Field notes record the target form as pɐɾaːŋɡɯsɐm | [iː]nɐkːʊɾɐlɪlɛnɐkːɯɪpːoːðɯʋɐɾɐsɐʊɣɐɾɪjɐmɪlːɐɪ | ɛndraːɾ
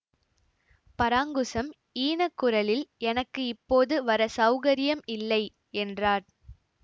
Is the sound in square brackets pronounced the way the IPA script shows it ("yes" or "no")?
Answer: yes